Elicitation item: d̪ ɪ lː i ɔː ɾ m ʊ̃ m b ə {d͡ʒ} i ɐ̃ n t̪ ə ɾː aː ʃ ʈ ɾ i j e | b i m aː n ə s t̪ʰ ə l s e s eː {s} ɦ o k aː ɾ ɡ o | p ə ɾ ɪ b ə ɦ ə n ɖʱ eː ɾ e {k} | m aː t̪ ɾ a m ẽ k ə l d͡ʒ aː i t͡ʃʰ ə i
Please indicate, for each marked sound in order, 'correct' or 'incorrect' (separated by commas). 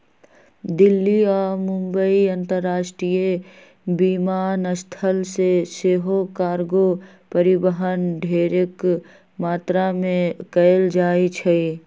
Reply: incorrect, incorrect, correct